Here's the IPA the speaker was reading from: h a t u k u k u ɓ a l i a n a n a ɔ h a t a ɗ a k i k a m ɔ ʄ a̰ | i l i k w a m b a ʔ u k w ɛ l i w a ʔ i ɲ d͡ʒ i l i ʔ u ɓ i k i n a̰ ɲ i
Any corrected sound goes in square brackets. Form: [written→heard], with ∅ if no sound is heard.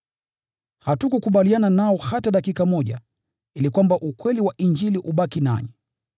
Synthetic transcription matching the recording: h a t u k u k u ɓ a l i a n a n a ɔ h a t a ɗ a k i k a m ɔ ʄ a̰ | i l i k w a m b a ʔ u k w ɛ l i w a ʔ i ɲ d͡ʒ i l i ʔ u ɓ [i→a] k i n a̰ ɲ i